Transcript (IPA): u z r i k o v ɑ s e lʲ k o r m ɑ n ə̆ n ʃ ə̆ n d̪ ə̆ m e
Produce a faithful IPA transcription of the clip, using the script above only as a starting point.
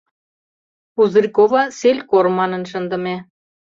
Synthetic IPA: u z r i k o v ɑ s e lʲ k o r m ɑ n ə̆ n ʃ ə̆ n d̪ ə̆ m e